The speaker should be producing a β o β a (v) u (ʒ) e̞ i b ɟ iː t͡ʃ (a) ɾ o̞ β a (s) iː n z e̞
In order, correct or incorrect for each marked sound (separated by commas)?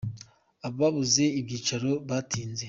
incorrect, incorrect, correct, incorrect